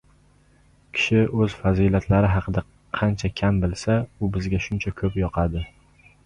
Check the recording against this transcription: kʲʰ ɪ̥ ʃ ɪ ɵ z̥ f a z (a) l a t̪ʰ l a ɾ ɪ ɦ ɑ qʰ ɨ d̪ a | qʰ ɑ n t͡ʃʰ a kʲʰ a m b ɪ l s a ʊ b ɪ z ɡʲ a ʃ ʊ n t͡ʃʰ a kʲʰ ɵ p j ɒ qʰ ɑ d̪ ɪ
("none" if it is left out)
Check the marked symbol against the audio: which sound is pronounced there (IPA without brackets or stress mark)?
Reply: i